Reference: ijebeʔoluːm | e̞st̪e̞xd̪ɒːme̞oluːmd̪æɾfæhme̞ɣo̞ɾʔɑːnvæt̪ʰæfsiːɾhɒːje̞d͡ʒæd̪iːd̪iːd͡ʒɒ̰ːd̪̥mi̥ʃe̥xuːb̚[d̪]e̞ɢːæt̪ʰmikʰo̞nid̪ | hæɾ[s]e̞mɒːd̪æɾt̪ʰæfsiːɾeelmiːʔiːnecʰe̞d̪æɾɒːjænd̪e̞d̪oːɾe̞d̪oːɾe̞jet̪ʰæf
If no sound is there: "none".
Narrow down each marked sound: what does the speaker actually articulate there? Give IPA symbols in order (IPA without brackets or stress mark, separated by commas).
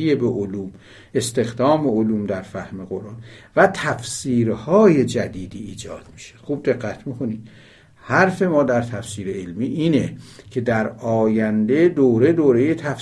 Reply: d̪, f